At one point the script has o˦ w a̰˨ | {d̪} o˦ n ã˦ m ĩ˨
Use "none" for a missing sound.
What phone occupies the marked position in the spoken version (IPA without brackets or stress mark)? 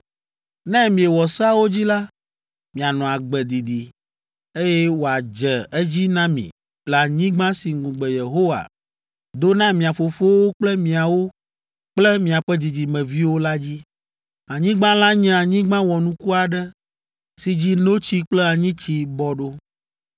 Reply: d̪